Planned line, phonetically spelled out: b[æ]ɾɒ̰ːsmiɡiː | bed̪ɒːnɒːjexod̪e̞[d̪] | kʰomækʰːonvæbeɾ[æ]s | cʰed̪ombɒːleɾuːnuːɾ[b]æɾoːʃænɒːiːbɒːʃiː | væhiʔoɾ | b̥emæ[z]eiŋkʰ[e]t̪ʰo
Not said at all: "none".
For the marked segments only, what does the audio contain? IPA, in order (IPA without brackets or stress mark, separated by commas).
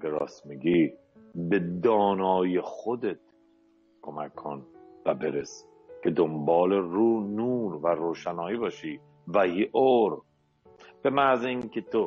e, t̪, e, v, z, e